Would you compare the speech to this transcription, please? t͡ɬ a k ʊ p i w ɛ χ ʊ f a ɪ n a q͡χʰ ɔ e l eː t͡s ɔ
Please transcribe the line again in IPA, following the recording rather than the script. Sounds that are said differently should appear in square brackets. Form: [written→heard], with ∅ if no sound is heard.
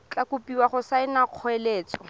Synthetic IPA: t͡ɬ a k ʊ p i w [ɛ→a] χ ʊ [f→s] a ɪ n a q͡χʰ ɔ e l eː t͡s ɔ